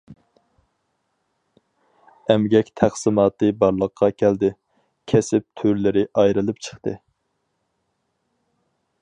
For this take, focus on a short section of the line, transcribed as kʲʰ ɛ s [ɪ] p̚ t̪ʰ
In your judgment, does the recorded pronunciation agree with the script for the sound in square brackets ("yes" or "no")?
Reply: yes